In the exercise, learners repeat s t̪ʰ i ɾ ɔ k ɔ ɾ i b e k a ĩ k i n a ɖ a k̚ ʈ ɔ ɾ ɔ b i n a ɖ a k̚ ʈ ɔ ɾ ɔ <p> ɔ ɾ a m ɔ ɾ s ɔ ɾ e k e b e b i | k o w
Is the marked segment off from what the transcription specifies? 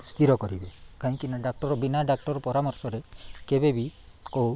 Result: no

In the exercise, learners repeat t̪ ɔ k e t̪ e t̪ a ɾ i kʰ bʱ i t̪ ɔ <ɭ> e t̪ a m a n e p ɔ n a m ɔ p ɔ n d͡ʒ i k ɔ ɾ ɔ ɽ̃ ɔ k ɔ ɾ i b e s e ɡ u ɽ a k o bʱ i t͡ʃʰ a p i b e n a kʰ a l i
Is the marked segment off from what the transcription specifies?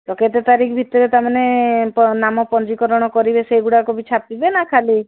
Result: yes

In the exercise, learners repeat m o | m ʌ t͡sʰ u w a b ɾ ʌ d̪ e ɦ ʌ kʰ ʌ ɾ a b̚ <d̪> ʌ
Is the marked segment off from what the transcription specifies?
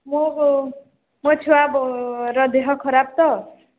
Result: yes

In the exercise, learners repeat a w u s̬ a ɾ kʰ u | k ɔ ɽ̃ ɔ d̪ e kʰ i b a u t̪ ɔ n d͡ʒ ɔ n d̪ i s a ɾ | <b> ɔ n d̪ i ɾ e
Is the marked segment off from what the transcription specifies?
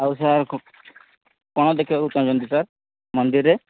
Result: yes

